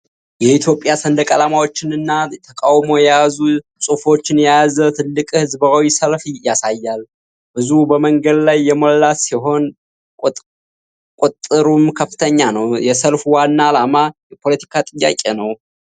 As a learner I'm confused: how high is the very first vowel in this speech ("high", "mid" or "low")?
mid